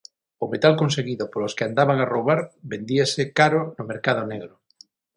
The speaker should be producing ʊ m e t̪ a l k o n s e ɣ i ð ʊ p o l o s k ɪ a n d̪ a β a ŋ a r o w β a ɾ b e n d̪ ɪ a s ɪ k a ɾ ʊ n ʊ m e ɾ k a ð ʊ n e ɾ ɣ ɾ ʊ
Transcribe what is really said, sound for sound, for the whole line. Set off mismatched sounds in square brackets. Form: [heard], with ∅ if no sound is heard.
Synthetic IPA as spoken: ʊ m e t̪ a l k o n s e ɣ i ð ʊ p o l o s k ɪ a n d̪ a β a ŋ a r o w β a ɾ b e n d̪ [i] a s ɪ k a ɾ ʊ n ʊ m e ɾ k a ð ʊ n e [∅] ɣ ɾ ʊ